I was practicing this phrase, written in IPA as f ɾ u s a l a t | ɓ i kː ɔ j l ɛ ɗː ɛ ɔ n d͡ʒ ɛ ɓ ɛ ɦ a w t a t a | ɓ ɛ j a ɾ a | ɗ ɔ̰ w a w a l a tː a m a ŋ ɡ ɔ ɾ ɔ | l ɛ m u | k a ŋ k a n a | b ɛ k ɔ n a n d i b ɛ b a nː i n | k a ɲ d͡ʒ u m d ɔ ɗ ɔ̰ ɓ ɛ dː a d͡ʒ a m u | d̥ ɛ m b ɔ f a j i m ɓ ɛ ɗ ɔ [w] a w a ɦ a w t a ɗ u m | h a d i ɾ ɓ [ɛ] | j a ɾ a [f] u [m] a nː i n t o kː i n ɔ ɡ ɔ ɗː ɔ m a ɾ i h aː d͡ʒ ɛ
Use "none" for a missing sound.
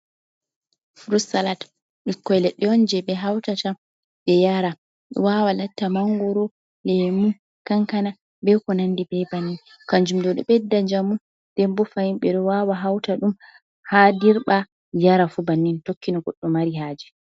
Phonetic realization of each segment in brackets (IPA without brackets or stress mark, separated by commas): w, a, f, b